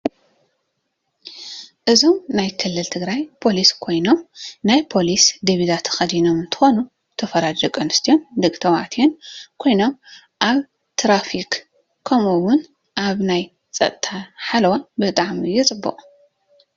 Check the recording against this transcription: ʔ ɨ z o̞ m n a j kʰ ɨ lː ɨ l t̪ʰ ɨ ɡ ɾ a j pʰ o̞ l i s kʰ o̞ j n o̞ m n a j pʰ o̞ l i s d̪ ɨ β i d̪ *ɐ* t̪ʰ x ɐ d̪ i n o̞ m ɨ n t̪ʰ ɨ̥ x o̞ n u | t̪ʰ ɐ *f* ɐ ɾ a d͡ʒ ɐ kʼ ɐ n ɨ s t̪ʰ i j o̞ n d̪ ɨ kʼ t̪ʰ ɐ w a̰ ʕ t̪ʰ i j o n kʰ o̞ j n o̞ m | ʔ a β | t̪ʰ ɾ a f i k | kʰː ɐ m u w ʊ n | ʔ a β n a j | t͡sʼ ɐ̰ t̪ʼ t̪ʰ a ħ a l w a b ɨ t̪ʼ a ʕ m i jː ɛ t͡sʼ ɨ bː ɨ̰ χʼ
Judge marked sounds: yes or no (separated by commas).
no, yes